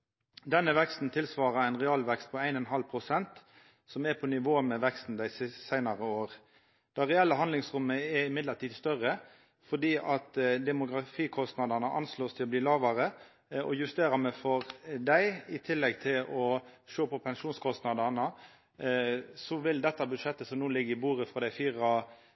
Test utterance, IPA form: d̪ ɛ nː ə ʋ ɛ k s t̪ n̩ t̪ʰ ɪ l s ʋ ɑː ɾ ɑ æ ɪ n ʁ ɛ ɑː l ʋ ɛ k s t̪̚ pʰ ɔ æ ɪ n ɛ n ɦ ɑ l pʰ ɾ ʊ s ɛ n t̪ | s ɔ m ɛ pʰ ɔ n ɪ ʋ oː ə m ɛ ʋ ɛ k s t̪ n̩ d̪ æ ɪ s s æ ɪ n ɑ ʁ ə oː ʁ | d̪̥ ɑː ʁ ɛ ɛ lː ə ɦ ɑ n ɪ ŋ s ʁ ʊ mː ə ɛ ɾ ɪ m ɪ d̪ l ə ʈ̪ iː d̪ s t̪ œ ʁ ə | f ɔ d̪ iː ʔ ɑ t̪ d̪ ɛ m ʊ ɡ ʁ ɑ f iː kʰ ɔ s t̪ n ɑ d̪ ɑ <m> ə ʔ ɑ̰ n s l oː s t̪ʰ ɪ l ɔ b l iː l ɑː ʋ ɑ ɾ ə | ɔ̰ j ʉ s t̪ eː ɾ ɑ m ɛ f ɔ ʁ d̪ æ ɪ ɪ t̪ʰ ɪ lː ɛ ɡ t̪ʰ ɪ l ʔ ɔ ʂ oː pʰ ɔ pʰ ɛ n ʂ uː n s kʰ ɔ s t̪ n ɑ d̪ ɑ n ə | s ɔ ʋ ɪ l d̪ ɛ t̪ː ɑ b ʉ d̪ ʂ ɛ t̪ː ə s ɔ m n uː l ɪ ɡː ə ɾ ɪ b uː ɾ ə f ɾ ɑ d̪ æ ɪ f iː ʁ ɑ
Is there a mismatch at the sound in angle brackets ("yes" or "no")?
yes